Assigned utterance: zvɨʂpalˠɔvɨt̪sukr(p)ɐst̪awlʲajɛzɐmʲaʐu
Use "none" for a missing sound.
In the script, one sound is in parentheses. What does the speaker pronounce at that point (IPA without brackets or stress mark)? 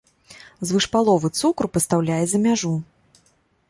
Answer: p